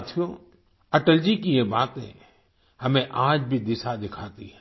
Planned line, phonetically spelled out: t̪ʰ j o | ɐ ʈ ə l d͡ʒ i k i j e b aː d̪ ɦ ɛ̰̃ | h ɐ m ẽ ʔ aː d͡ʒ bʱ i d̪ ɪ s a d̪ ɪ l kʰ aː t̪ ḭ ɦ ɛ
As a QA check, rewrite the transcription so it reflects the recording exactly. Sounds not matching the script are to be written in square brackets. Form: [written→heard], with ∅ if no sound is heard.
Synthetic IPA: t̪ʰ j o | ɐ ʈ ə l d͡ʒ i k i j e b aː [d̪→t̪] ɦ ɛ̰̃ | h ɐ m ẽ ʔ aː d͡ʒ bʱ i d̪ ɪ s a d̪ ɪ [l→∅] kʰ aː t̪ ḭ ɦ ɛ

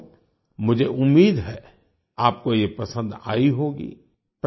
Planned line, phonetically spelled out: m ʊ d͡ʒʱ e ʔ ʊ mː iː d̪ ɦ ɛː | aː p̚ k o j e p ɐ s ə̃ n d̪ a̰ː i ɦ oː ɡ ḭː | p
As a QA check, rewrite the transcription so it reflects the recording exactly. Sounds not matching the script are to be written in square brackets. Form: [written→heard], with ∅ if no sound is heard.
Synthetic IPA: m ʊ d͡ʒʱ e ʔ ʊ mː iː d̪ ɦ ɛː | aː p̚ k o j e p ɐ s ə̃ n d̪ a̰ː i ɦ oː ɡ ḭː | p

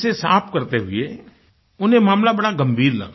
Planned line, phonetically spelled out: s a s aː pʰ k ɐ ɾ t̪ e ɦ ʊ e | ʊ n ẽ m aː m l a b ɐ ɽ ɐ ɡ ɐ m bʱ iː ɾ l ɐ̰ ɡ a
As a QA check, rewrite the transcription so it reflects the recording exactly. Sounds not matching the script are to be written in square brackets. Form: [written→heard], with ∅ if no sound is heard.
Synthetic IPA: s [a→e] s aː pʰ k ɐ ɾ t̪ e ɦ ʊ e | ʊ n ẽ m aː m l a b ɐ ɽ [ɐ→a] ɡ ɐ m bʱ iː ɾ l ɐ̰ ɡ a

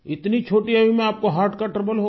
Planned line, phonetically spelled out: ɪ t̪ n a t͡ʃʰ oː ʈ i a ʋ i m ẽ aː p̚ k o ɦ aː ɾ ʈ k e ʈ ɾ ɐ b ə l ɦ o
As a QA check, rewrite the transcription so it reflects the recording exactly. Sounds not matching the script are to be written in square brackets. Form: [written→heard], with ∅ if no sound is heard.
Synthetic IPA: ɪ t̪ n [a→i] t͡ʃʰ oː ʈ i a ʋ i m ẽ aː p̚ k o ɦ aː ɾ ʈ k [e→a] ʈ ɾ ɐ b ə l ɦ o

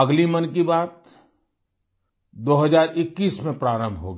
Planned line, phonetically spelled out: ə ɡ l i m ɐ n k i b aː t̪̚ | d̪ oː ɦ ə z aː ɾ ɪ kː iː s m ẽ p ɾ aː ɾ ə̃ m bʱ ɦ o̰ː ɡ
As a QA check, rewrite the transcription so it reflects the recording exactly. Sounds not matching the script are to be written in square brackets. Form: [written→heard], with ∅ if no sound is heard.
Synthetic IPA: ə ɡ l i m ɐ n k i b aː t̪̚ | d̪ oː ɦ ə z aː ɾ ɪ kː iː s m ẽ p ɾ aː ɾ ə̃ m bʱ ɦ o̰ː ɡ

